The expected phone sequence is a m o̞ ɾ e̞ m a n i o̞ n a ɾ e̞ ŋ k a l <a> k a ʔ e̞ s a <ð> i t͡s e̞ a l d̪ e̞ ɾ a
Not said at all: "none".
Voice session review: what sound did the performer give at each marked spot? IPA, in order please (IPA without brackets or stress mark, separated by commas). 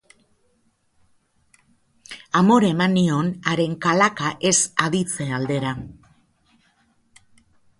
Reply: a, ð